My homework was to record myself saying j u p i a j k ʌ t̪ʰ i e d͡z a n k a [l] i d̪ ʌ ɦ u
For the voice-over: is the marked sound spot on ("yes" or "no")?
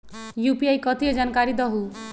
no